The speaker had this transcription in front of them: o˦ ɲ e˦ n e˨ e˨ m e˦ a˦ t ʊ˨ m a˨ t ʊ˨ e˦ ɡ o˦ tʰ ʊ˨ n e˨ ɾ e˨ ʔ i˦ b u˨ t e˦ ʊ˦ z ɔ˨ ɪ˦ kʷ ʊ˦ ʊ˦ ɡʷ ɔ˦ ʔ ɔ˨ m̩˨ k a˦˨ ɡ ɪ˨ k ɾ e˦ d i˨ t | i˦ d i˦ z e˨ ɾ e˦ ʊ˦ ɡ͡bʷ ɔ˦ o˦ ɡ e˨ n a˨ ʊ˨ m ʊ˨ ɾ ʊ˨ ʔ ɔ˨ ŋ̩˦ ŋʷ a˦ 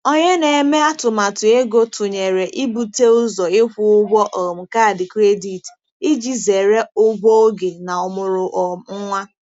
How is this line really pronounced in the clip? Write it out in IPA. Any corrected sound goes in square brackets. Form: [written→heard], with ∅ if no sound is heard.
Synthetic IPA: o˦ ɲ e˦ n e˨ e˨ m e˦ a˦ t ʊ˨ m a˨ t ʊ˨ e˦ ɡ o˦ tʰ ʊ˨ [n→ɲ] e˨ ɾ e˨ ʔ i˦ b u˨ t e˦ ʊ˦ z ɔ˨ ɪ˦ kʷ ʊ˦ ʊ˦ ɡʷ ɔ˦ ʔ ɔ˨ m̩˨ k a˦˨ [ɡ→d] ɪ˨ k ɾ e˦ d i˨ t | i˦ [d→d͡ʒ] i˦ z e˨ ɾ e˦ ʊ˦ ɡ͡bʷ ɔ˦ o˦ ɡ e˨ n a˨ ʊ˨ m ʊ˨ ɾ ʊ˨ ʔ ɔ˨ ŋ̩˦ ŋʷ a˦